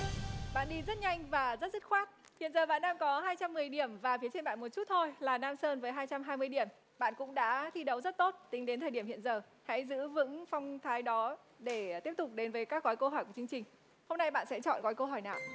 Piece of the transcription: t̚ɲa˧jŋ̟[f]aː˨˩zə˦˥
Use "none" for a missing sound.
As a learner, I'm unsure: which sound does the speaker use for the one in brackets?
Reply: v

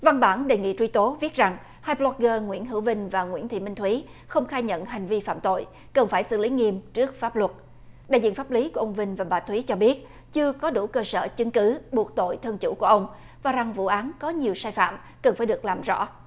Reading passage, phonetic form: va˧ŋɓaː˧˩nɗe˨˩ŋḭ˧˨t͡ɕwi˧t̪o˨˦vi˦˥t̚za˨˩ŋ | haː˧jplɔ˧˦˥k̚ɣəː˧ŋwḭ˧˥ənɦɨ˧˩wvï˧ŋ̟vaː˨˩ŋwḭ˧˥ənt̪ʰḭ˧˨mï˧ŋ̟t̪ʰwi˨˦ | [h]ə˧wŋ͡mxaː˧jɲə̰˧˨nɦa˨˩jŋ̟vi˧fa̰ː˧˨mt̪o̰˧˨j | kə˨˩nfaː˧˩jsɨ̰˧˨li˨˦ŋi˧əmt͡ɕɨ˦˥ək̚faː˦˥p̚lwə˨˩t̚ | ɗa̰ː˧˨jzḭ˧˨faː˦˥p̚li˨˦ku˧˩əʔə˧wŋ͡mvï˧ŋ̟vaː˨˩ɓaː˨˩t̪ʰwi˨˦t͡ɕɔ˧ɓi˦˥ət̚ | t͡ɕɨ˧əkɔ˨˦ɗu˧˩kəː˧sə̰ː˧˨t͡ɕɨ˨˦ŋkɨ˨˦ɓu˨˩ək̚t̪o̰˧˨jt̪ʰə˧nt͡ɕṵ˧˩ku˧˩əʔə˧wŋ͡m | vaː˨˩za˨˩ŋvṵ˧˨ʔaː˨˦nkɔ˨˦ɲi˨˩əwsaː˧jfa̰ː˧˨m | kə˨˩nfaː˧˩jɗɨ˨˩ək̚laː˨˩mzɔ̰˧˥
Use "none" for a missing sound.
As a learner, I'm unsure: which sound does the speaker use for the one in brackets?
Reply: x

